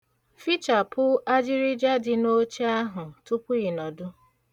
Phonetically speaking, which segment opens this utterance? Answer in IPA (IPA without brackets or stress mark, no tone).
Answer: f